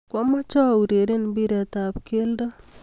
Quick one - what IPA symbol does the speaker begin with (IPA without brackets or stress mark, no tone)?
k